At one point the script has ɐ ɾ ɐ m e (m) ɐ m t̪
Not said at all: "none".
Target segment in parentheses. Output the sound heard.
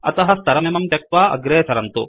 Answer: m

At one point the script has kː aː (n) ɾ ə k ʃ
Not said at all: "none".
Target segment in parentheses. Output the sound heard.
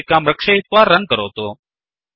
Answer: m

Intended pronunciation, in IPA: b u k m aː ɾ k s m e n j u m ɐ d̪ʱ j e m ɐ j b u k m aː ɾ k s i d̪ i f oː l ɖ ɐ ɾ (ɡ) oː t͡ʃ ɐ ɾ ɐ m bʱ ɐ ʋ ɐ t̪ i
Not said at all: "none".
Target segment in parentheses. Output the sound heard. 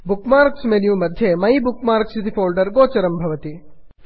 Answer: ɡ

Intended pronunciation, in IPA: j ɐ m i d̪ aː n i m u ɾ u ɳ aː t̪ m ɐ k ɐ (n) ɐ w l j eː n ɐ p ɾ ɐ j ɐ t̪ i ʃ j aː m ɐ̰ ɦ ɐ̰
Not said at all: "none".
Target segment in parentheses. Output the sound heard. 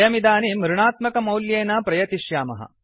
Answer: m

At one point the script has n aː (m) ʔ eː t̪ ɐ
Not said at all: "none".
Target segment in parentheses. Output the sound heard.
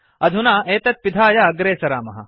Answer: none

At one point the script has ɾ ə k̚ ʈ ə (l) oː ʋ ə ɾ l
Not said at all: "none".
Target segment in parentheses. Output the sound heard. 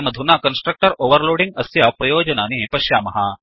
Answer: ɾ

